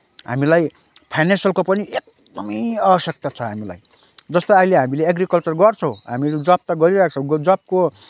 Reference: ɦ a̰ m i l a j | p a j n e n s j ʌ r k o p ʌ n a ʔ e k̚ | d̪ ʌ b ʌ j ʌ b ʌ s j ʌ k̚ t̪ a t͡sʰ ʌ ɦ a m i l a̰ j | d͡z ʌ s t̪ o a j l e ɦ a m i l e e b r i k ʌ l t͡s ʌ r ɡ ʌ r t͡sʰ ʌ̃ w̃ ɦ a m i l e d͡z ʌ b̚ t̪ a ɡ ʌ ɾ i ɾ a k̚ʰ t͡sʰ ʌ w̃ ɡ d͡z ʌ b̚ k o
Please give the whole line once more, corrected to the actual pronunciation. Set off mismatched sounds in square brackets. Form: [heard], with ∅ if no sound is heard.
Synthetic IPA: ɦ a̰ m i l a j | [pʰ] a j n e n s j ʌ [l] k o p ʌ n [i] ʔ e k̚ | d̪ ʌ [m] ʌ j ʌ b ʌ s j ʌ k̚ t̪ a t͡sʰ ʌ ɦ a m i l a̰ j | d͡z ʌ s t̪ o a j l e ɦ a m i l e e [ɡ] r i k ʌ l t͡s ʌ r ɡ ʌ r t͡sʰ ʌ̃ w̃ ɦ a m i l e d͡z ʌ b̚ t̪ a ɡ ʌ ɾ i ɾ a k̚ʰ t͡sʰ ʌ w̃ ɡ d͡z ʌ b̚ k o